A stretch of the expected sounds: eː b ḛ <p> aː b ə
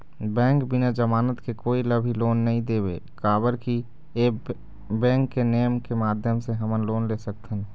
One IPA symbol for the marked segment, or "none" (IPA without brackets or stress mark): k